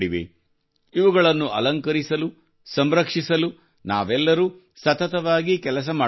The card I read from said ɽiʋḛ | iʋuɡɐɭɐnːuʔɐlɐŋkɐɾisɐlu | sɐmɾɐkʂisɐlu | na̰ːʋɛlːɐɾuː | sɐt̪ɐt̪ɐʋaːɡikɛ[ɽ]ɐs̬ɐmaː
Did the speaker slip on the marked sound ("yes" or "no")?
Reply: yes